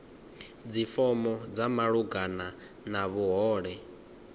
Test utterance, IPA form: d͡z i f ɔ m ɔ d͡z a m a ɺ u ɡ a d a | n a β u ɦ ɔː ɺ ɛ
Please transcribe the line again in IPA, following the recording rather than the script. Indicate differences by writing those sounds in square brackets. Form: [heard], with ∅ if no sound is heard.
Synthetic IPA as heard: d͡z i f ɔ m ɔ d͡z a m a ɺ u ɡ a [n] a | n a β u ɦ ɔː ɺ ɛ